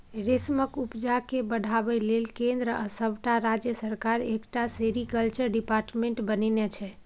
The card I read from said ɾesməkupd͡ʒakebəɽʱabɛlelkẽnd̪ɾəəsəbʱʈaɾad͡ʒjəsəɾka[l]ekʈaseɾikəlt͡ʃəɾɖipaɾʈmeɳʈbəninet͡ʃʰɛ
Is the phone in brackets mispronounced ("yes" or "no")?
yes